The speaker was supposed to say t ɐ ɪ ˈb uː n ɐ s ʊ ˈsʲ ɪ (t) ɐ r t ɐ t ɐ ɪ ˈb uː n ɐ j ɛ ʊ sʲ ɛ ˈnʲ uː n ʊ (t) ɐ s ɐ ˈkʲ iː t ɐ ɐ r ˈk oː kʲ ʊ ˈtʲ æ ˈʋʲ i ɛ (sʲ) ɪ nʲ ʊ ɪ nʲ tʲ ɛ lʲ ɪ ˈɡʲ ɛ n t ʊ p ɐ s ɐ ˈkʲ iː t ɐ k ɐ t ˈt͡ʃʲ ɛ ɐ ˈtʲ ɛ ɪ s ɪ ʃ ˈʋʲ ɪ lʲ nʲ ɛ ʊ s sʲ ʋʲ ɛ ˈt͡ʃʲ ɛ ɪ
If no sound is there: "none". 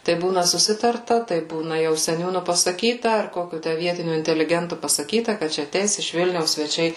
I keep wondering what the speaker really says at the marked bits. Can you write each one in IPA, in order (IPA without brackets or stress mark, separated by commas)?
t, p, tʲ